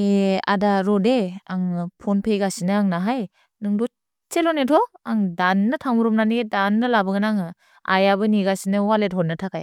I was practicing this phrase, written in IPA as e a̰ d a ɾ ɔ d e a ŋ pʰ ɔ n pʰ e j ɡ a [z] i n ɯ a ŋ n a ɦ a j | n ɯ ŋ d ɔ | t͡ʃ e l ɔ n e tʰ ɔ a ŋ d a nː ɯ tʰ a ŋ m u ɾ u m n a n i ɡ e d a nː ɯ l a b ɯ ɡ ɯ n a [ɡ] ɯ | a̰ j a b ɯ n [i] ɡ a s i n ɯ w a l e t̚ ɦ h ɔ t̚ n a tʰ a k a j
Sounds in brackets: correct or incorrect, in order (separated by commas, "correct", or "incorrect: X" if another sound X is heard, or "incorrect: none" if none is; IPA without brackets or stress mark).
incorrect: s, incorrect: ŋ, correct